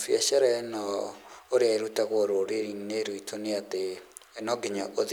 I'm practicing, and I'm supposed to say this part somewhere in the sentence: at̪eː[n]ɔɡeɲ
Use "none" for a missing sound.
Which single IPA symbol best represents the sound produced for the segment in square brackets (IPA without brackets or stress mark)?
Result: n